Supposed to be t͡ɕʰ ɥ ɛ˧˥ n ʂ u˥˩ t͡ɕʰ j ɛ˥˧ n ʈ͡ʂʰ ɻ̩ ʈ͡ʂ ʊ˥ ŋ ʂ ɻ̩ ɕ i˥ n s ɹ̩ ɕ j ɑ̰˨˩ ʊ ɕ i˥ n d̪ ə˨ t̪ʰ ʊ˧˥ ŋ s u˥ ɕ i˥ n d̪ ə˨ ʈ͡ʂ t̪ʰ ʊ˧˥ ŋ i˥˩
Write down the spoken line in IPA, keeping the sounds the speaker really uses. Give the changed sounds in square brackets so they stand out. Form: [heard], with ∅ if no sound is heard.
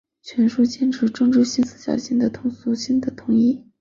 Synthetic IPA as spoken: t͡ɕʰ ɥ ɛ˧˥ n ʂ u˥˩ [t͡ɕ] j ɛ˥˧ n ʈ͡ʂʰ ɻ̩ ʈ͡ʂ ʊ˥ ŋ [ʈ͡ʂ] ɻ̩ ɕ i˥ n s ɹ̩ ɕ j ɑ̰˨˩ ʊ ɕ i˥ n d̪ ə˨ t̪ʰ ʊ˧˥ ŋ s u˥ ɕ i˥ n d̪ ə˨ [∅] t̪ʰ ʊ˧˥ ŋ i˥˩